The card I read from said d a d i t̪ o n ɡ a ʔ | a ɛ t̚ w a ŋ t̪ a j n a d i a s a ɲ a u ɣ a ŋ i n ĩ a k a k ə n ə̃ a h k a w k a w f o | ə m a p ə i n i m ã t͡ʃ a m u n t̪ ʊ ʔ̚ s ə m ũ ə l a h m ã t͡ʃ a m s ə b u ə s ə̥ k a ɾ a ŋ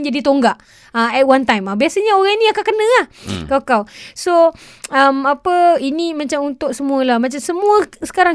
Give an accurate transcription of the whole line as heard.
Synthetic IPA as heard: d͡ʒ a d i t̪ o ŋ ɡ a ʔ | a ɛ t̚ w a n t̪ a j m a b i a s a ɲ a o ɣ a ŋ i n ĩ a k a k ə n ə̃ a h k a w k a w s o | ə m a p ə i n i m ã t͡ʃ a m u n t̪ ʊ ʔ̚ s ə m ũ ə l a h m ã t͡ʃ a m s ə m u ə s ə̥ k a ɾ a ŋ